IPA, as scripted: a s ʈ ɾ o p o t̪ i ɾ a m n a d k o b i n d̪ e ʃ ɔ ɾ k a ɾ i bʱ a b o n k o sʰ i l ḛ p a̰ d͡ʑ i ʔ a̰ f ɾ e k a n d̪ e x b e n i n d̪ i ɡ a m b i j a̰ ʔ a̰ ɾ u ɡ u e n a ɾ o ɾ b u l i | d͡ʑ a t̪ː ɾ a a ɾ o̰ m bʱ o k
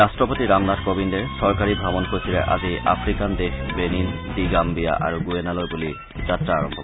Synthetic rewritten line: a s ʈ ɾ o p o t̪ i ɾ a m n a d k o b i n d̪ e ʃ ɔ ɾ k a ɾ i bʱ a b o n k o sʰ i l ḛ ʔ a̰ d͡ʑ i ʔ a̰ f ɾ i k a n d̪ e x b e n i n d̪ i ɡ a m b i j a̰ ʔ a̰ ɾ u ɡ u e n a l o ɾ b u l i | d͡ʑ a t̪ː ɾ a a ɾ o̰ m bʱ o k